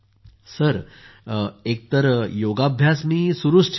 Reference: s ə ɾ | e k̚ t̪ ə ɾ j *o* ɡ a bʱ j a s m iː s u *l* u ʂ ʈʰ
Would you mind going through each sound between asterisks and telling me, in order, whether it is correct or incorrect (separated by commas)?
correct, incorrect